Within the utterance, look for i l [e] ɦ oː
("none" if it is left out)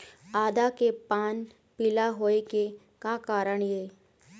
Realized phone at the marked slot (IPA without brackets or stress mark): a